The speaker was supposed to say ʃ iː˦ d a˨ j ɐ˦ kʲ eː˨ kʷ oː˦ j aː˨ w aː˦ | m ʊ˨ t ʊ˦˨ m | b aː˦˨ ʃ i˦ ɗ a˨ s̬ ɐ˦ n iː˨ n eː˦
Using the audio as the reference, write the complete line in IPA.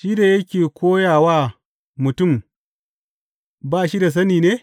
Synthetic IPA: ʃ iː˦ d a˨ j ɐ˦ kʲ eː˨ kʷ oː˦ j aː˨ w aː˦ | m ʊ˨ t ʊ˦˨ m | b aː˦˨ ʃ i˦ d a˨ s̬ ɐ˦ n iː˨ n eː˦